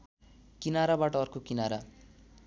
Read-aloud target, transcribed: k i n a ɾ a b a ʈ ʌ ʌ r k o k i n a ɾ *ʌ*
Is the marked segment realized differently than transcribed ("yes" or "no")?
yes